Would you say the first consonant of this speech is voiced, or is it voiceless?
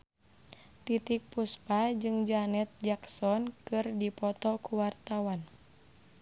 voiceless